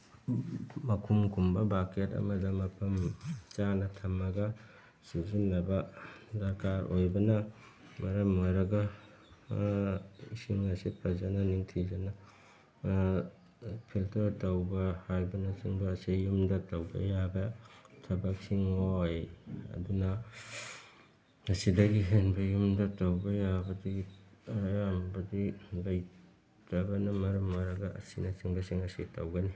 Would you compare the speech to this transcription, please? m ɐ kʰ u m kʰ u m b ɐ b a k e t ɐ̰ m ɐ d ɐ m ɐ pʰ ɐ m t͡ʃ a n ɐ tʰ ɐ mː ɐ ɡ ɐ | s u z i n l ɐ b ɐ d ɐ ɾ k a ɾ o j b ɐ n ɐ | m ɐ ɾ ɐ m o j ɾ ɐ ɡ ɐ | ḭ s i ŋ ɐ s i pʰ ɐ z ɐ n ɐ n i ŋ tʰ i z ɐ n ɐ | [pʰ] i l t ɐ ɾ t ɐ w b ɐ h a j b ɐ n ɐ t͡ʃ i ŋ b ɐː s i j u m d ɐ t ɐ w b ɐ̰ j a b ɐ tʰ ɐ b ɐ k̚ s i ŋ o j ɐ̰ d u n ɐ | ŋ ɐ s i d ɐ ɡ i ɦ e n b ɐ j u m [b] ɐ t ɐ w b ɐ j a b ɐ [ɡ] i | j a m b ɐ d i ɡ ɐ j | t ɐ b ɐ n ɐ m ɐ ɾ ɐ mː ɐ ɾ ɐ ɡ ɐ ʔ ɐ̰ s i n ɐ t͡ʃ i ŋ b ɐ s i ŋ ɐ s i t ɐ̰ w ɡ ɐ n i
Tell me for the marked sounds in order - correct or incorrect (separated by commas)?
correct, incorrect, incorrect